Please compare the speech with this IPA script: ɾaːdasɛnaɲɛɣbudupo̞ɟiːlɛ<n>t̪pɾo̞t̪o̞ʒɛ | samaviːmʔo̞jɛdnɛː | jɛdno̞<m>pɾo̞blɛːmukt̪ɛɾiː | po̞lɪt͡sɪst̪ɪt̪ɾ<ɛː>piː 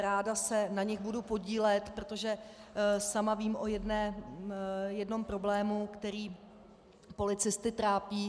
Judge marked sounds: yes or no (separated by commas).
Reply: no, yes, no